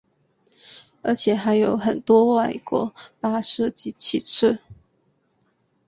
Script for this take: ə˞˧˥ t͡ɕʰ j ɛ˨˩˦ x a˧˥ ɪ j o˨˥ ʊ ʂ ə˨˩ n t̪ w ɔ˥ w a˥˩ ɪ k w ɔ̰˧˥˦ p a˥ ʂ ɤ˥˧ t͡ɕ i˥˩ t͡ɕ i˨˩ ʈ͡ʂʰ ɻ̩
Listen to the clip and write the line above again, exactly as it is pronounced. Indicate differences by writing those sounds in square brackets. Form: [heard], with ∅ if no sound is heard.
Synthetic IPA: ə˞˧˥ t͡ɕʰ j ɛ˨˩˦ x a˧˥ ɪ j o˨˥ ʊ [x] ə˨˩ n t̪ w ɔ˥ w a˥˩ ɪ k w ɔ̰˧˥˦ p a˥ ʂ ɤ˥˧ t͡ɕ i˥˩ [t͡ɕʰ] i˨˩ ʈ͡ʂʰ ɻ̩